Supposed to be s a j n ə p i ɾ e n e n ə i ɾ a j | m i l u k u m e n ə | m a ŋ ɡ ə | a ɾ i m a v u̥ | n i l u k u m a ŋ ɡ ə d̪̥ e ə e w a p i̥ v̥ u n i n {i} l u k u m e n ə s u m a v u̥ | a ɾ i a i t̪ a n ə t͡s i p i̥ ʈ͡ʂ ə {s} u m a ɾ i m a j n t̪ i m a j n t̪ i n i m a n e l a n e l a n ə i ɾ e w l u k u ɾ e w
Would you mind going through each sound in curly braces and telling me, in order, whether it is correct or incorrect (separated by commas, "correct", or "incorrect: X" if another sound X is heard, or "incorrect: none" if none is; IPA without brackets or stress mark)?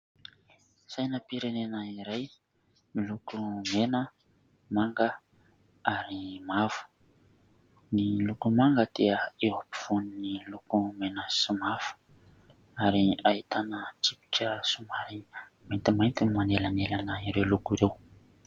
correct, correct